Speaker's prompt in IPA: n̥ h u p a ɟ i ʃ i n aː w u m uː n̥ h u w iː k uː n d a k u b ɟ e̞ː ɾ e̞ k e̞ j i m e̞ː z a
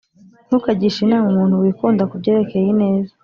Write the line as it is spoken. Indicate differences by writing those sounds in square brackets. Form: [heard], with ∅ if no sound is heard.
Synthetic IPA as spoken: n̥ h u [k] a ɟ i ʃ i n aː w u m uː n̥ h u w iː k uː n d a k u b ɟ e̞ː ɾ e̞ k e̞ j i [n] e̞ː z a